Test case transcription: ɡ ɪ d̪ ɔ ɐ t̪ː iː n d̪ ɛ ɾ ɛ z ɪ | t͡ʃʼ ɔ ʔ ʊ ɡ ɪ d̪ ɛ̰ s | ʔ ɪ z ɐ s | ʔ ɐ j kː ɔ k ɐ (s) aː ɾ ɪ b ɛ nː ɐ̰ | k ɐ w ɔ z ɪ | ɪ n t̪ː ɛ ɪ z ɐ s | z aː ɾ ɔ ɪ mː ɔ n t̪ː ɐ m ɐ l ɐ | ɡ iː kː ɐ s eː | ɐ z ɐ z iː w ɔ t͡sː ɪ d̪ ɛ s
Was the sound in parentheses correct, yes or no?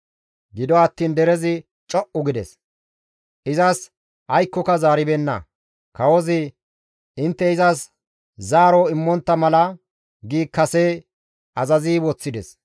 no